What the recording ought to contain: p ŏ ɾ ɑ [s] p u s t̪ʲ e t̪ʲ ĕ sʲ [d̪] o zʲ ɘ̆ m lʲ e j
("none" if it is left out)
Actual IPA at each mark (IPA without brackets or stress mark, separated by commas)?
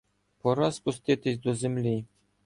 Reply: s, d̪